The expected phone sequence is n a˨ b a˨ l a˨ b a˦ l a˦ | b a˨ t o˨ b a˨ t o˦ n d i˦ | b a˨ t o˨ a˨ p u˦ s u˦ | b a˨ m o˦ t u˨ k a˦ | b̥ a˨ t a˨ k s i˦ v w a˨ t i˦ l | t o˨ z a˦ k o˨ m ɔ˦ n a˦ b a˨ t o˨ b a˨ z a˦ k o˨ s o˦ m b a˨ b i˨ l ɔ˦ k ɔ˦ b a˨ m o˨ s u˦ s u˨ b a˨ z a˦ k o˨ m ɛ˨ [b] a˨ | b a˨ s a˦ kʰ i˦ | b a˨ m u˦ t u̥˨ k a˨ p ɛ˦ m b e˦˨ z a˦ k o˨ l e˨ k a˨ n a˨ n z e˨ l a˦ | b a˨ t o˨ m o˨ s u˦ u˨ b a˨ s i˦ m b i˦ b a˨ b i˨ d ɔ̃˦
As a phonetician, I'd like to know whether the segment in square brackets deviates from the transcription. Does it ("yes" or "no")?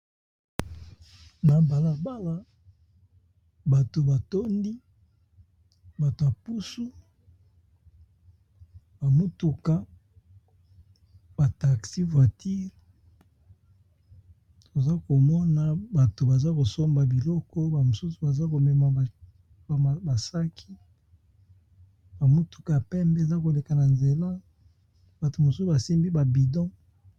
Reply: yes